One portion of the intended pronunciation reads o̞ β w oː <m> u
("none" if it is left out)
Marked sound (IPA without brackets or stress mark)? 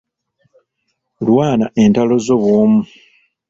m